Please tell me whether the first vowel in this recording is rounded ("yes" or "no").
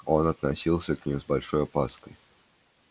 yes